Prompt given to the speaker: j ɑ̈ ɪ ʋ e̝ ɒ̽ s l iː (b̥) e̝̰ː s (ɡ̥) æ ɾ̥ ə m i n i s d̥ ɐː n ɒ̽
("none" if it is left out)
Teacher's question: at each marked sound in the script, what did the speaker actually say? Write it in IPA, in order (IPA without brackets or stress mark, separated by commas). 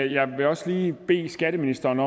b̥, ɡ̥